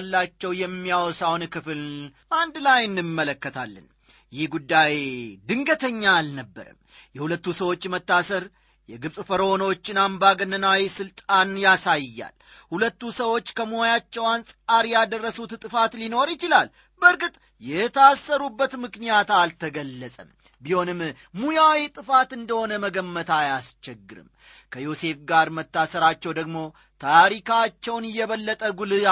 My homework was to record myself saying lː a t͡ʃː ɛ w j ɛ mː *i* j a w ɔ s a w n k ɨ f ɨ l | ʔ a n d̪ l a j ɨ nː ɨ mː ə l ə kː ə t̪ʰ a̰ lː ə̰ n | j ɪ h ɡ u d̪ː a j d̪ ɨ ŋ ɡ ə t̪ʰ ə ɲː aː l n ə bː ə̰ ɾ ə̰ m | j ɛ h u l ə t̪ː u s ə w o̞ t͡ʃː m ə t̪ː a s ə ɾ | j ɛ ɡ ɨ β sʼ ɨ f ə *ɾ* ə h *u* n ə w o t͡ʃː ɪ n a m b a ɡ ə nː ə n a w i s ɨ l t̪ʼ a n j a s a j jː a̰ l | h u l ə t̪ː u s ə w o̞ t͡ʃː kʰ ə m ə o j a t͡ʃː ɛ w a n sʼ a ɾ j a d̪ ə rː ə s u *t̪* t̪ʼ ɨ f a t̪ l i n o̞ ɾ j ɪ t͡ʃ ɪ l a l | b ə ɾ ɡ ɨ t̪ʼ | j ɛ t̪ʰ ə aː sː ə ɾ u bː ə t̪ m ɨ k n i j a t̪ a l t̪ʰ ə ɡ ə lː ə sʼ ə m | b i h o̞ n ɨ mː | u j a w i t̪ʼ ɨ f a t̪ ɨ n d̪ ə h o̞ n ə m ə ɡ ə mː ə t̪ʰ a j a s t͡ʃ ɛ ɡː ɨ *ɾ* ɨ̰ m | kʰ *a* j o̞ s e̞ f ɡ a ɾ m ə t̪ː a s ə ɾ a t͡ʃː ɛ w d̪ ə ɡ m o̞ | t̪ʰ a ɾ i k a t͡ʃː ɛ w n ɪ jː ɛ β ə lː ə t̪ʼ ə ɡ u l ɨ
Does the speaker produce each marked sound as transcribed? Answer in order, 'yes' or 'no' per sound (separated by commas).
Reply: yes, yes, no, yes, yes, no